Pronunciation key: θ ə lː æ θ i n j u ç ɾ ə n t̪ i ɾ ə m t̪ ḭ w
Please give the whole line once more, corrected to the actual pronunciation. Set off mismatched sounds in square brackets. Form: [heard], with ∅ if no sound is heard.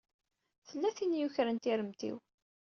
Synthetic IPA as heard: θ ə lː æ θ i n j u ç ɾ ə n t̪ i ɾ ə m t̪ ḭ w